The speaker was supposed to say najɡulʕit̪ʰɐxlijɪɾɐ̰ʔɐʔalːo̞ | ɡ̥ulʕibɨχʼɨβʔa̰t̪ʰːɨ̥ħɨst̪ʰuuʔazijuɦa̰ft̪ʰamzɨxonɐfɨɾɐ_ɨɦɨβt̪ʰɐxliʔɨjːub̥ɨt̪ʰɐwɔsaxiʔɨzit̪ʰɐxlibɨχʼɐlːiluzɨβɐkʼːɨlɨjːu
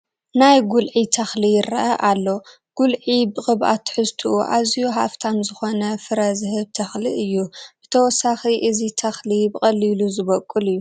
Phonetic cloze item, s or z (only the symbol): z